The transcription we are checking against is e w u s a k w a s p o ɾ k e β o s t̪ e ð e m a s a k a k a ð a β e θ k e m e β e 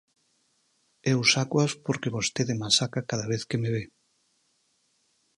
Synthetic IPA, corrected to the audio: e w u s a k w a s p o ɾ k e β o s t̪ e ð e m a s a k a k a ð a β e θ k e m e β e